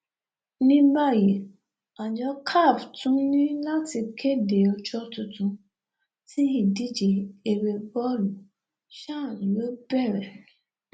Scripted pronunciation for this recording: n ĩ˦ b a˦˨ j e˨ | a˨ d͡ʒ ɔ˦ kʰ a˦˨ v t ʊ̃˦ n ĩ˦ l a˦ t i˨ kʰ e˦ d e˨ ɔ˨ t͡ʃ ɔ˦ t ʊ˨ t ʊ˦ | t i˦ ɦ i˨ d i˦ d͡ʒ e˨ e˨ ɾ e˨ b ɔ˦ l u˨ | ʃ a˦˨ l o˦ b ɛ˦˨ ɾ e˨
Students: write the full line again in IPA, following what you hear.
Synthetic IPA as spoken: n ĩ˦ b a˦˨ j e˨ | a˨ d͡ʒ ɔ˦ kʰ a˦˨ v t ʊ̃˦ n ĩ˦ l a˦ t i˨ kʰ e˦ d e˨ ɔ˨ t͡ʃ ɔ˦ t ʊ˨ t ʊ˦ | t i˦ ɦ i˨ d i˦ d͡ʒ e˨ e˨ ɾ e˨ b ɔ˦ l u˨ | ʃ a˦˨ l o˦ b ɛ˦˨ ɾ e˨